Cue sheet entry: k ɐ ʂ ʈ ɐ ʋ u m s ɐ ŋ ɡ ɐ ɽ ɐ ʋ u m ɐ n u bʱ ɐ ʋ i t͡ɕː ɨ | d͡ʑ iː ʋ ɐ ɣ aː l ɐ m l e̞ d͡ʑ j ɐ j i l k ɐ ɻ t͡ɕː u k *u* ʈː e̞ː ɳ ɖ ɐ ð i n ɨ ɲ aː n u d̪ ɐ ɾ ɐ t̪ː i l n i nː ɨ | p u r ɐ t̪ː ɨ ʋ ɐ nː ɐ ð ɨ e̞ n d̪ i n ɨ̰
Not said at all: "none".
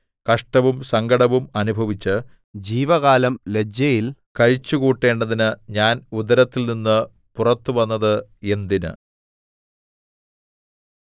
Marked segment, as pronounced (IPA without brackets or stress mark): uː